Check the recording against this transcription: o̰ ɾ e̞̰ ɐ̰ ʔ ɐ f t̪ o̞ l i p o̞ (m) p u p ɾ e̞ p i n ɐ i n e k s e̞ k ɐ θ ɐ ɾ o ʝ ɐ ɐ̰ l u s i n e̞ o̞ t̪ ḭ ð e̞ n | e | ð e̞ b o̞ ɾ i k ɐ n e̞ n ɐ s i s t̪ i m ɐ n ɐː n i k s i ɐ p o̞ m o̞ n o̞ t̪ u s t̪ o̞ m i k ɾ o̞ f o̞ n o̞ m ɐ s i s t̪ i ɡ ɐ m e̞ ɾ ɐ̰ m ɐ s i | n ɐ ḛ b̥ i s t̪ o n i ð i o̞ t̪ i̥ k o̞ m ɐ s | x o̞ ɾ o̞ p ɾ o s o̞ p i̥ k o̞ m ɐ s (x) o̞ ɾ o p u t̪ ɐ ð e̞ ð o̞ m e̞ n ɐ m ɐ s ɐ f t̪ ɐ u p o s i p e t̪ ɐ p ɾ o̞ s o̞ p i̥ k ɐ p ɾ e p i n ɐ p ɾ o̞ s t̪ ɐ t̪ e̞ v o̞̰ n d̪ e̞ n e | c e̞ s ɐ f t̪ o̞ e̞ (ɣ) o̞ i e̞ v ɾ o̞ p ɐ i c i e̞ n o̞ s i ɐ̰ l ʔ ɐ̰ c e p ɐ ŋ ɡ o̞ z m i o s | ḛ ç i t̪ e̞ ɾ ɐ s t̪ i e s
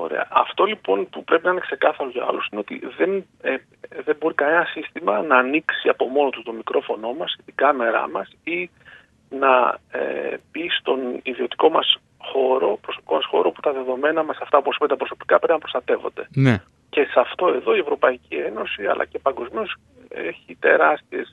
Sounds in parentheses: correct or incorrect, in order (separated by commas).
incorrect, correct, incorrect